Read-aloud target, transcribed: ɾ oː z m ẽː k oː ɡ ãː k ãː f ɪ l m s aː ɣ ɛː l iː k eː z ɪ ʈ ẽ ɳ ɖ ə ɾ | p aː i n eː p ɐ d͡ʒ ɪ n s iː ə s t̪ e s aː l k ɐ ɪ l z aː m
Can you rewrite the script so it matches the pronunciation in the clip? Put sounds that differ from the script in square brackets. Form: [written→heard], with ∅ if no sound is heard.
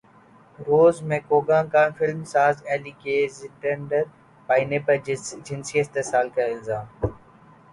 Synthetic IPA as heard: ɾ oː z m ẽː k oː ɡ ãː k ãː f ɪ l m s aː [ɣ→z] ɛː l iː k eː z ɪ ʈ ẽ ɳ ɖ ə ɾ | p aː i n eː p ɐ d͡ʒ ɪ n s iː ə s t̪ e s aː l k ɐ ɪ l z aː m

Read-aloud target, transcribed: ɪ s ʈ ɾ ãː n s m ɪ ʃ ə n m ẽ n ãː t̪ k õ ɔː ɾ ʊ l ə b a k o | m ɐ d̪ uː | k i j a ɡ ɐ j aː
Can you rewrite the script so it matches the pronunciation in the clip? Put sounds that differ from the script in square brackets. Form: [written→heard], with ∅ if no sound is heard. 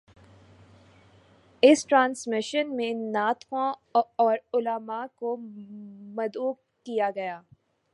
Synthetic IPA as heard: ɪ s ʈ ɾ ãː n s m ɪ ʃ ə n m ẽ n [ãː→aː] t̪ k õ ɔː ɾ ʊ l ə [b→m] a k o | m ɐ d̪ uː | k i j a ɡ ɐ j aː

